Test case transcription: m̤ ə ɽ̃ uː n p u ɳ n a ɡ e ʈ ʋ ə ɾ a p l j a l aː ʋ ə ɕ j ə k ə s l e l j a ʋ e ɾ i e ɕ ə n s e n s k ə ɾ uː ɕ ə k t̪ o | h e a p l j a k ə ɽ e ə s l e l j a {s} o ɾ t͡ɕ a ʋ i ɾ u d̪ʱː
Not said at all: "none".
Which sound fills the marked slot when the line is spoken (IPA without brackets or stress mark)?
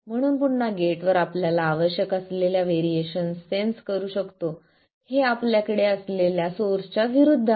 s